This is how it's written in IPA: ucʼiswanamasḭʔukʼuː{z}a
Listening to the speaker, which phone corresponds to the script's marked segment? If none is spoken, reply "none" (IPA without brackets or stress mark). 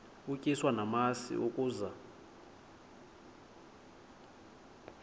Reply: z